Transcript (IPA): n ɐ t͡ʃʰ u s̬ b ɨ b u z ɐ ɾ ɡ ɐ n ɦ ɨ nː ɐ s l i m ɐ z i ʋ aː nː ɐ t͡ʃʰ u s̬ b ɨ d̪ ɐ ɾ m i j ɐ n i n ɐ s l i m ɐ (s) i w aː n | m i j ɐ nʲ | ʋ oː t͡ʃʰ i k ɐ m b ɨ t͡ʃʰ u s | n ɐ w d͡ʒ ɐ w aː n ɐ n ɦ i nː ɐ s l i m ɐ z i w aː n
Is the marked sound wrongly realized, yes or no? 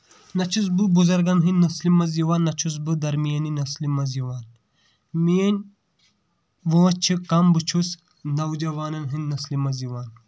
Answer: yes